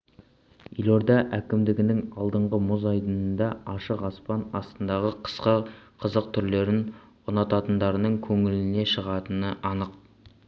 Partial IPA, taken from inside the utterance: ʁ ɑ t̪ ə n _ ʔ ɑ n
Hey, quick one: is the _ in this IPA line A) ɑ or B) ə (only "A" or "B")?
B